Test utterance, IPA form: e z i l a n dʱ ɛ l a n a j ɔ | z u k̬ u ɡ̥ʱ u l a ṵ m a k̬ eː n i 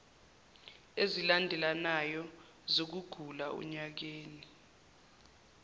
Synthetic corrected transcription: e z i l a n dʱ ɛ l a n a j ɔ | z o k̬ u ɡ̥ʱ u l a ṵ ɲ a k̬ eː n i